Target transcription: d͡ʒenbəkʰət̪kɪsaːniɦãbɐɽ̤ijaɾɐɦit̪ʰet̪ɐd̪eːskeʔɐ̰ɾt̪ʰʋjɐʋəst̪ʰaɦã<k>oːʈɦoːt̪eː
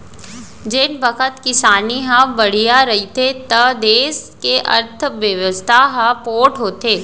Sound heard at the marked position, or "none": p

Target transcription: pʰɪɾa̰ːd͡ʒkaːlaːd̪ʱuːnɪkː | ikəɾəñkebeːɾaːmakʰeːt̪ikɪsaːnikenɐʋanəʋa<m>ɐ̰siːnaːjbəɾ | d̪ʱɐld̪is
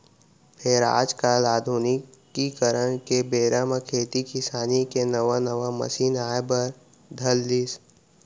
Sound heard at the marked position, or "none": m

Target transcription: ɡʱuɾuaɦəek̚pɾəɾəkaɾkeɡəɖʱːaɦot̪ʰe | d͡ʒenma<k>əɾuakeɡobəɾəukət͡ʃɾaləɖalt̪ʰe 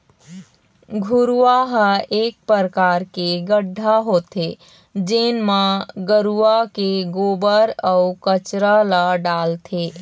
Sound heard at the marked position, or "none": ɡ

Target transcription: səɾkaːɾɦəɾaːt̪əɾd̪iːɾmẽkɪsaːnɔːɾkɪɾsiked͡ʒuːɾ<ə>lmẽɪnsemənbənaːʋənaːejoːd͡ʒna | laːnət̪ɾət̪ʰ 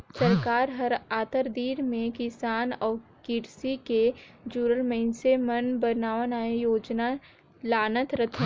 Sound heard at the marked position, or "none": ə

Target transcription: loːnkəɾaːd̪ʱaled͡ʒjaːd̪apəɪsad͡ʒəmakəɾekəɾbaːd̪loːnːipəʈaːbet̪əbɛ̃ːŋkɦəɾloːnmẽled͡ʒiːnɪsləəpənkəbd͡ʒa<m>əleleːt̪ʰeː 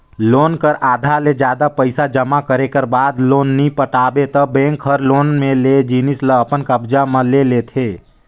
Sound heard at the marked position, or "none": m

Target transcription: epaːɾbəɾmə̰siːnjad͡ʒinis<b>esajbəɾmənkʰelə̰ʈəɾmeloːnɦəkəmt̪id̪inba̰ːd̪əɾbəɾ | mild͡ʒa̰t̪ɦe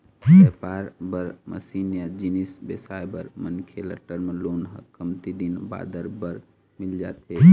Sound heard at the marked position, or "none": b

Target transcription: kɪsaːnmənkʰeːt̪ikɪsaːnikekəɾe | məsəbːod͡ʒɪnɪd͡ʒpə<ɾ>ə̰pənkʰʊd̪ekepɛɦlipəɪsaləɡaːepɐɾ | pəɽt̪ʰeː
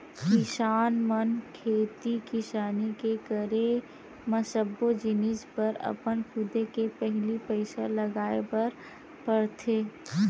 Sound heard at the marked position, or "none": ɾ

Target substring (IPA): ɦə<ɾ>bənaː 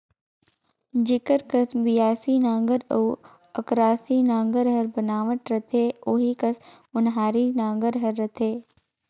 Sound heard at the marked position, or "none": ɾ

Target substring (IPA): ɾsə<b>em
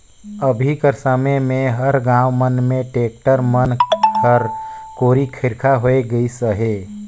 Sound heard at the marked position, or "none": m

